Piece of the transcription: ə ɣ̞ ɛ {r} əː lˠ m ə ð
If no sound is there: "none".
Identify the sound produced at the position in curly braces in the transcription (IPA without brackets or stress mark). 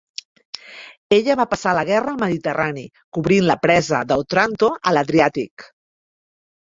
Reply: r